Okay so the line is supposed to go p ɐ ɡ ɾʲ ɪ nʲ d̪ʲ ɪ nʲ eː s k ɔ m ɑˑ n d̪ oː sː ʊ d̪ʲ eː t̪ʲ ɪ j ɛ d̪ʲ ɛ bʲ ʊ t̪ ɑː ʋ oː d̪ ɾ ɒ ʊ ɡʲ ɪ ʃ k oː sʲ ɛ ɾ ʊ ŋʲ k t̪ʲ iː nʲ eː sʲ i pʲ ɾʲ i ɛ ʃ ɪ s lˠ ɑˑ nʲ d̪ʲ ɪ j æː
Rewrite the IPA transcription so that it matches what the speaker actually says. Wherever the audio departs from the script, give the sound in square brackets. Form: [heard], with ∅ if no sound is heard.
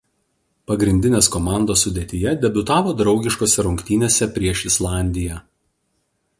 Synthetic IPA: p ɐ ɡ ɾʲ ɪ nʲ d̪ʲ ɪ nʲ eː s k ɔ m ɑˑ n d̪ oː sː ʊ d̪ʲ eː t̪ʲ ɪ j ɛ d̪ʲ ɛ bʲ ʊ t̪ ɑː ʋ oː d̪ ɾ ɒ ʊ ɡʲ ɪ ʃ k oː sʲ ɛ ɾ ʊ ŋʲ k t̪ʲ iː nʲ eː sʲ [ɛ] pʲ ɾʲ i ɛ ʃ ɪ s lˠ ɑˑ nʲ d̪ʲ ɪ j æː